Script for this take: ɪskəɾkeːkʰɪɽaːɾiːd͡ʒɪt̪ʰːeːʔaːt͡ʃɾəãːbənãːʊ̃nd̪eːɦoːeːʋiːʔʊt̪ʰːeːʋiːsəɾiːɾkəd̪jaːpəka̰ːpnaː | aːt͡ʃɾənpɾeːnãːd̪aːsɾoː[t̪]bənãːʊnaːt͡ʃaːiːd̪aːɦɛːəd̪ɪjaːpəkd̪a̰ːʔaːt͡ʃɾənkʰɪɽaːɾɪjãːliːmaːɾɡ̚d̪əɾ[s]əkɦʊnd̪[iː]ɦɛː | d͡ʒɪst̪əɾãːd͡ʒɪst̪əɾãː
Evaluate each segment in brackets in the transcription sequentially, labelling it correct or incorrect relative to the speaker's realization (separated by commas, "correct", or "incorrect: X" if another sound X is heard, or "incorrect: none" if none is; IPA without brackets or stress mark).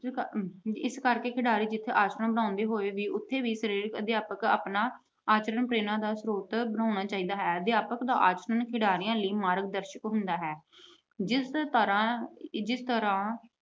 correct, incorrect: ʃ, incorrect: aː